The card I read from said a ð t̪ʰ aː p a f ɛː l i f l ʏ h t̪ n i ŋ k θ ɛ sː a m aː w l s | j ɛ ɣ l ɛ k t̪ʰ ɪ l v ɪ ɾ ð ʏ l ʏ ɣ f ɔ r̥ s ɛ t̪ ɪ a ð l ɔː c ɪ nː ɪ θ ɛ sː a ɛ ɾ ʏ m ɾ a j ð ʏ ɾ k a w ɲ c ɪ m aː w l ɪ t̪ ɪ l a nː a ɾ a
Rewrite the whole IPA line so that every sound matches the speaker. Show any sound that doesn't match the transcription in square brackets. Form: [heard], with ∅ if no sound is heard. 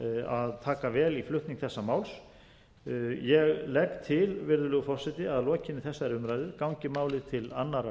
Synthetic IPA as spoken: a ð t̪ʰ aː [k] a [v] ɛː l i f l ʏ h t̪ n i ŋ k θ ɛ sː a m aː w l s | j ɛ ɣ l ɛ k t̪ʰ ɪ l v ɪ ɾ ð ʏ l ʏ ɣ f ɔ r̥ s ɛ t̪ ɪ a ð l ɔː c ɪ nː ɪ θ ɛ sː a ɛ ɾ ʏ m ɾ a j ð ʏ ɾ k a w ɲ c ɪ m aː w l ɪ [t̪ʰ] ɪ l a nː a ɾ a

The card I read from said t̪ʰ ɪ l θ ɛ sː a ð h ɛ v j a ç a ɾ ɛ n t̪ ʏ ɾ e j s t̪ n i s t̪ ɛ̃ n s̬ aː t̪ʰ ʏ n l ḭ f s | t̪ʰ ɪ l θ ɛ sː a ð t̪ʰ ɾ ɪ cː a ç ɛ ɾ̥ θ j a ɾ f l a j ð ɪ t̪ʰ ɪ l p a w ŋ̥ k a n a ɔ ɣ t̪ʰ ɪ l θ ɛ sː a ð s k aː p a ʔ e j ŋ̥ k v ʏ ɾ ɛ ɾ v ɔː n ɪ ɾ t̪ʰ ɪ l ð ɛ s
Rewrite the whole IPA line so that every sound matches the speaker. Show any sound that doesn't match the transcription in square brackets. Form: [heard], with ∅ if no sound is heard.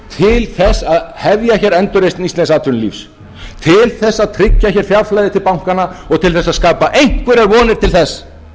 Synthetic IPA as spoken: t̪ʰ ɪ l θ ɛ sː a ð h ɛ v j a ç [ɛ] ɾ ɛ n t̪ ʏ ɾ e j s t̪ n i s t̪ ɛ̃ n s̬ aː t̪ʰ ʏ n l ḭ f s | t̪ʰ ɪ l θ ɛ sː a ð t̪ʰ ɾ ɪ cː a ç ɛ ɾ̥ [f] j a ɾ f l a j ð ɪ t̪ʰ ɪ l p a w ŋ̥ k a n a ɔ ɣ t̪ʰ ɪ l θ ɛ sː a ð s k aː p a ʔ e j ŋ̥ k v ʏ ɾ ɛ ɾ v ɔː n ɪ ɾ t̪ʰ ɪ l [θ] ɛ s

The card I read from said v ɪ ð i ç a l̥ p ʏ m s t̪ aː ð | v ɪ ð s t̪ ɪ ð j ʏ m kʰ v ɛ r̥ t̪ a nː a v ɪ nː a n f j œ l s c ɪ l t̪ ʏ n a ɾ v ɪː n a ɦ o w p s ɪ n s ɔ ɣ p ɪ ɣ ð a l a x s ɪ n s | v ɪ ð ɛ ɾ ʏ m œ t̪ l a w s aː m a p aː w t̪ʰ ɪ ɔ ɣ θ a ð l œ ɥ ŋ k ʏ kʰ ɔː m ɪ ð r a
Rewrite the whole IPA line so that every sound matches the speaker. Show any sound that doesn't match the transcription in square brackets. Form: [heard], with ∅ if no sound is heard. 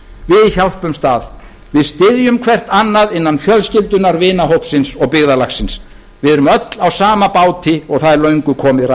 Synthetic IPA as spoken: v ɪ ð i ç a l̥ p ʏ m s t̪ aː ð | v ɪ ð s t̪ ɪ ð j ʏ m kʰ v ɛ r̥ t̪ a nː a [ð] ɪ nː a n f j œ l s c ɪ l t̪ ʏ n a ɾ v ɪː n a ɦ o w p s ɪ n s ɔ ɣ p ɪ ɣ ð a l a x s ɪ n s | v ɪ ð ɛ ɾ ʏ m œ t̪ l a w s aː m a p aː w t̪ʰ ɪ ɔ ɣ θ a ð l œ ɥ ŋ k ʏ kʰ ɔː m ɪ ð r a

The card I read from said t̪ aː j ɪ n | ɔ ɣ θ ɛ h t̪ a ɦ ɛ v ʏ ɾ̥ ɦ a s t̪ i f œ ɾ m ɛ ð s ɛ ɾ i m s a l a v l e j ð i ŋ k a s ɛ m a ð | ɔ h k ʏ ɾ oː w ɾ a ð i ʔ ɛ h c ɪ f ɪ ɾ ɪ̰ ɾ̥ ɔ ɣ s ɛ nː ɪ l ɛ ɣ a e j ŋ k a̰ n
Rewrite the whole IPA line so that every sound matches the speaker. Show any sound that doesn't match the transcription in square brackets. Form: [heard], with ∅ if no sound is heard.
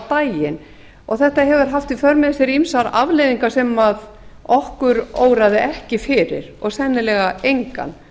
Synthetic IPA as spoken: t̪ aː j ɪ n | ɔ ɣ θ ɛ h t̪ a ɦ ɛ v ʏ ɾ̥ ɦ a [f] t̪ i f œ ɾ m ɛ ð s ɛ ɾ i m s a [ɾ] a v l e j ð i ŋ k a s ɛ m a ð | ɔ h k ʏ ɾ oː w ɾ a ð [ɪ] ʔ ɛ h c ɪ f ɪ ɾ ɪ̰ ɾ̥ ɔ ɣ s ɛ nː ɪ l ɛ ɣ a e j ŋ k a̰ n

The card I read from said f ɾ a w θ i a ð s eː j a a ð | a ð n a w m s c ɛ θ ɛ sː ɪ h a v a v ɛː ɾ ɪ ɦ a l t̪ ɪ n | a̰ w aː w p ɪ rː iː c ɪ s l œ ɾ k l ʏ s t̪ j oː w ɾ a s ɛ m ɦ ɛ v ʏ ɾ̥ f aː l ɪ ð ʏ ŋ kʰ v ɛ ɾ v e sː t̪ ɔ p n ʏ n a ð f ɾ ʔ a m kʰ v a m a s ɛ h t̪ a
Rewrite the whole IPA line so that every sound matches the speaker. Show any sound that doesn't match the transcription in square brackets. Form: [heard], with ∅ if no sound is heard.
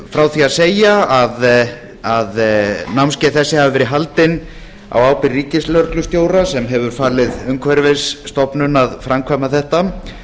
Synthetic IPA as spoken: f ɾ a w θ i a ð s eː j a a ð | a ð n a w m s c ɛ θ ɛ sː ɪ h a v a v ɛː ɾ ɪ ɦ a l t̪ ɪ n | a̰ w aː w p ɪ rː iː c ɪ s l œ ɾ k l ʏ s t̪ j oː w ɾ a s ɛ m ɦ ɛ v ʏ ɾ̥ f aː l ɪ ð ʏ ŋ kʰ v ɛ ɾ v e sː t̪ ɔ p n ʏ n a ð f ɾ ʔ a m kʰ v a m a [θ] ɛ h t̪ a

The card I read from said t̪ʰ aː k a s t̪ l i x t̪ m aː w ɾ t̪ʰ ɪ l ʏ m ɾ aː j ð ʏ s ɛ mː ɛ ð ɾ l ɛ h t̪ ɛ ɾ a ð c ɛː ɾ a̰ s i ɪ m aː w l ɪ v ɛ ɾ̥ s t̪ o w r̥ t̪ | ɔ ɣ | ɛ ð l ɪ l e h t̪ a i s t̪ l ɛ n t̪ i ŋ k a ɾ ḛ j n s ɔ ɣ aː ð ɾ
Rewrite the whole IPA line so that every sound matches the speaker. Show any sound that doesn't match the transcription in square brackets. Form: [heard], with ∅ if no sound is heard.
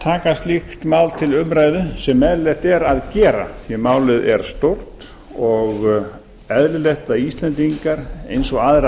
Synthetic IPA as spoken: t̪ʰ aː k a s t̪ l i x t̪ m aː w [l] t̪ʰ ɪ l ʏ m ɾ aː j ð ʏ s ɛ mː ɛ ð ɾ l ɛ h t̪ ɛ ɾ a ð c ɛː ɾ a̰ [θ] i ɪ m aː w l ɪ [ð] ɛ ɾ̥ s t̪ o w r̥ t̪ | ɔ ɣ | ɛ ð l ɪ l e h t̪ a i s t̪ l ɛ n t̪ i ŋ k a ɾ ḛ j n s ɔ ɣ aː ð ɾ

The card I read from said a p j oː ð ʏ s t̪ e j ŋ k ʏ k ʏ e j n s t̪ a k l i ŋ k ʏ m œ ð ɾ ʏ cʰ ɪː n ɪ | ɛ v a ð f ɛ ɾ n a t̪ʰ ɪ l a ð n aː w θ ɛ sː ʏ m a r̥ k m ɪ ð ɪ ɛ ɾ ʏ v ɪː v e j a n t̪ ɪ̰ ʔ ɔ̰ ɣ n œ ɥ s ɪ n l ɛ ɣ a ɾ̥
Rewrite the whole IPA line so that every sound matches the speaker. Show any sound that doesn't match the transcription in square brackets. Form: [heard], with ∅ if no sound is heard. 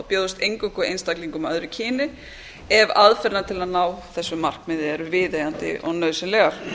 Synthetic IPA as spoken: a p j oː ð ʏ s t̪ e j ŋ k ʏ k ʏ e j n s t̪ a k l i ŋ k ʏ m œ ð ɾ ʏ cʰ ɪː n ɪ | ɛ v a ð f ɛ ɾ n a t̪ʰ ɪ l a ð n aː w θ ɛ sː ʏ m a r̥ k m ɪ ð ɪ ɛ ɾ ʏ v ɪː [ð] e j a n t̪ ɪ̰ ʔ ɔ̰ ɣ n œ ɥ s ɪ n l ɛ ɣ a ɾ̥

